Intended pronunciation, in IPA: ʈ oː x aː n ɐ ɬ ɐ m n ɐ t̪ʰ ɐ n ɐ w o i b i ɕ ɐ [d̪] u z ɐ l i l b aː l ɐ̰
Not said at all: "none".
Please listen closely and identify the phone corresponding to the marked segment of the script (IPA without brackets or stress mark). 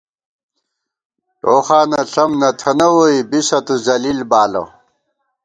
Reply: t̪